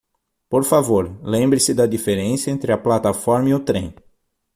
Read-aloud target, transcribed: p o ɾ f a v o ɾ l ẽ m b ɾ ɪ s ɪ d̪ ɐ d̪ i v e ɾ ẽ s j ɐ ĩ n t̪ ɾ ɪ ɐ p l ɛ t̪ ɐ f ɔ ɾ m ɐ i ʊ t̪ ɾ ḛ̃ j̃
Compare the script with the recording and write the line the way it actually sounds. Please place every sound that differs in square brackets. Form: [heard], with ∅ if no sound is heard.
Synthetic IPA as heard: p o ɾ f a v o ɾ l ẽ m b ɾ ɪ s ɪ d̪ ɐ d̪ i [f] e ɾ ẽ s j ɐ [ẽ] n t̪ ɾ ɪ ɐ p l [a] t̪ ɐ f ɔ ɾ m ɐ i ʊ t̪ ɾ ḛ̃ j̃